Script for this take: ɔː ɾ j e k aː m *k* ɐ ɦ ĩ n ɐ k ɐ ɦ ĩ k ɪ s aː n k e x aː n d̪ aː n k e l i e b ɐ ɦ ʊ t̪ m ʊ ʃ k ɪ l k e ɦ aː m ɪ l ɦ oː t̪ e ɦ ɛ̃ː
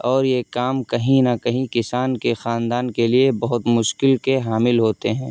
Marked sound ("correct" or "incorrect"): correct